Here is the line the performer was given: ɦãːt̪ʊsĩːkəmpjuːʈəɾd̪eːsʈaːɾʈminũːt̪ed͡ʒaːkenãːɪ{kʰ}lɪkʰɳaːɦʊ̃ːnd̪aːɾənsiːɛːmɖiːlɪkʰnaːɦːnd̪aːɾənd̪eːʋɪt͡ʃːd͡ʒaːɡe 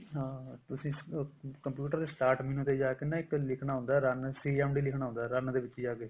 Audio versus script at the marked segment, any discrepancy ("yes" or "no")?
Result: yes